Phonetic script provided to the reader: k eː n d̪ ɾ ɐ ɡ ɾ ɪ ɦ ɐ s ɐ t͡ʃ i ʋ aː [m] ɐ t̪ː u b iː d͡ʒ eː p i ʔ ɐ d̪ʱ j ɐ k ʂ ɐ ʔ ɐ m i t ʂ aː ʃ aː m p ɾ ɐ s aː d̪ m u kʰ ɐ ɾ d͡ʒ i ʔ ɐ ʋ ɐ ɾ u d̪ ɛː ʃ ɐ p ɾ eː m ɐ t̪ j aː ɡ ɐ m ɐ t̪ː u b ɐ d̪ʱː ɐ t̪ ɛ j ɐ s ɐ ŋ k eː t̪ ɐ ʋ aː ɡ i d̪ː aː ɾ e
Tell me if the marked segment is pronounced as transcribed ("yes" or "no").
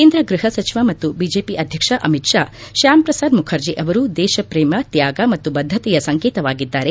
yes